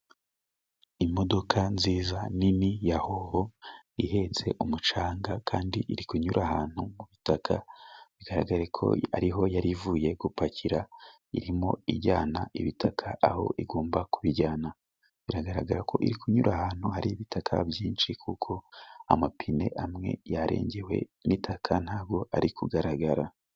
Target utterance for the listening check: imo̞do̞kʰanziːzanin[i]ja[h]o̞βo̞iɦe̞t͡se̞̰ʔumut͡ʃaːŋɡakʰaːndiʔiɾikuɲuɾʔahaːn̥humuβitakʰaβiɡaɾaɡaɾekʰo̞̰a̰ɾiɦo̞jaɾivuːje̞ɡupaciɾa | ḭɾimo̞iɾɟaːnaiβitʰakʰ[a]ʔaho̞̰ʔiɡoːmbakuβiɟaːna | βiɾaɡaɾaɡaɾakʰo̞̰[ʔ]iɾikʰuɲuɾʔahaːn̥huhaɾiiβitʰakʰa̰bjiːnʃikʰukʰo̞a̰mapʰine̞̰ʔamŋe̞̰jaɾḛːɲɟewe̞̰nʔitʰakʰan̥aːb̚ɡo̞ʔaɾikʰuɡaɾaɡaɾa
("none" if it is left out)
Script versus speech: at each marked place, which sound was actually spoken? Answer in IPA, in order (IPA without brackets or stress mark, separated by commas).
i, h, a, ʔ